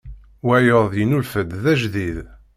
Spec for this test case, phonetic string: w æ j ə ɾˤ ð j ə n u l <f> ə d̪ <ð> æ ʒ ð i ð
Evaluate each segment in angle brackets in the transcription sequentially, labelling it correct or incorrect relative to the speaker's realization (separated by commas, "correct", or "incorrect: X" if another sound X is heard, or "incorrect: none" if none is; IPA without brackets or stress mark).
correct, correct